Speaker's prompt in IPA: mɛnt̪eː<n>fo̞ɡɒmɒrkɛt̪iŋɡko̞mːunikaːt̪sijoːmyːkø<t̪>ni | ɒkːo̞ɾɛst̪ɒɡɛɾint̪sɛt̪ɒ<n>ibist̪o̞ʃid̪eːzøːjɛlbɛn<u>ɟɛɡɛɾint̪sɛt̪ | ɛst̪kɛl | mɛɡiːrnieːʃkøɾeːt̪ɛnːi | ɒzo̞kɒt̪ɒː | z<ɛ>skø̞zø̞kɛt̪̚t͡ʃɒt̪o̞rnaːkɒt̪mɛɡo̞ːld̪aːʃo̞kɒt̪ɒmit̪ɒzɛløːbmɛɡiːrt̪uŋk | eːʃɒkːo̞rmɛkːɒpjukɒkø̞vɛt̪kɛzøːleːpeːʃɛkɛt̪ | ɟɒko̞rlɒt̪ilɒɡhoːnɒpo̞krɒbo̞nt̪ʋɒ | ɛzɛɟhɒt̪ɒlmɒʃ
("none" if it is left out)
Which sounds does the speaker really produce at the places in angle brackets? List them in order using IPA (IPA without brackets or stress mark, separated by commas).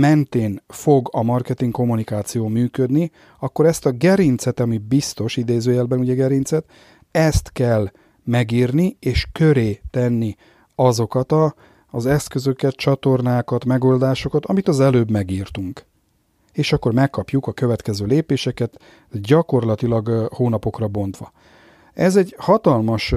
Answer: n, d̪, m, u, ɛ